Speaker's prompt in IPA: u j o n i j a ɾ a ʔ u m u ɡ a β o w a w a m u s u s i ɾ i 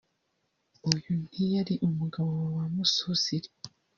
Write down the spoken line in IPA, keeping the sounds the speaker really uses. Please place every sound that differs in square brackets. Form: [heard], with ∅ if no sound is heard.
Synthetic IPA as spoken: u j [u] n i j a ɾ [i] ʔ u m u ɡ a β o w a w a m u s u s i ɾ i